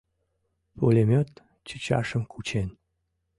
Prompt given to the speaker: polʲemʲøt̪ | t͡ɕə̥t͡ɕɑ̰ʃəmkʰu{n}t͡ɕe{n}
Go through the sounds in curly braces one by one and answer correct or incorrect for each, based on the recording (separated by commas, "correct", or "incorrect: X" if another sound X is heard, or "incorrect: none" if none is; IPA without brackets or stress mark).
incorrect: none, correct